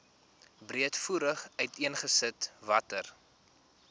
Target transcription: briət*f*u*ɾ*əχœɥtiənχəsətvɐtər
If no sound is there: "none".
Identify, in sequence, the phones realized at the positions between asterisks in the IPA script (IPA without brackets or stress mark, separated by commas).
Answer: f, ɾ